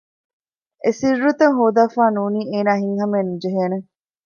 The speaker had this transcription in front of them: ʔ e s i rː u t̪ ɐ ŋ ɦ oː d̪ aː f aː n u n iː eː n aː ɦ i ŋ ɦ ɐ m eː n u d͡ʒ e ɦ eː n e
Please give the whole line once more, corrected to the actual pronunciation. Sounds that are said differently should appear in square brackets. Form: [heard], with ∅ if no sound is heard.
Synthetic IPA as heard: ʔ e s i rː u t̪ ɐ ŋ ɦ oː d̪ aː f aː n [uː] n iː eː n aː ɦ i ŋ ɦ ɐ m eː n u d͡ʒ e ɦ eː n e